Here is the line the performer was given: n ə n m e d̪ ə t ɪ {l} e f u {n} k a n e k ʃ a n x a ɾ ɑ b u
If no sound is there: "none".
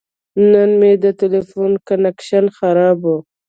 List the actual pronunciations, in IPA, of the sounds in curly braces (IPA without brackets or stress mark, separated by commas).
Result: l, n